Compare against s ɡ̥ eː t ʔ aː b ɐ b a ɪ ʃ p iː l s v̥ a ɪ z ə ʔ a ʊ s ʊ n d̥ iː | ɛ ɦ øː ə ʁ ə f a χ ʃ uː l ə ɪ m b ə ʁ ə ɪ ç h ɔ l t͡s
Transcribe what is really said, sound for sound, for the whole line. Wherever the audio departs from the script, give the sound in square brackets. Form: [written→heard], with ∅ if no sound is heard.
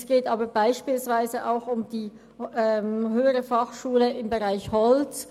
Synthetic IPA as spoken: s ɡ̥ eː t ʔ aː b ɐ b a ɪ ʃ p iː l s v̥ a ɪ z ə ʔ a ʊ [s→x] ʊ [n→m] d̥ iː | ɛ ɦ øː ə ʁ ə f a χ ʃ uː l ə ɪ m b ə ʁ [ə→a] ɪ ç h ɔ l t͡s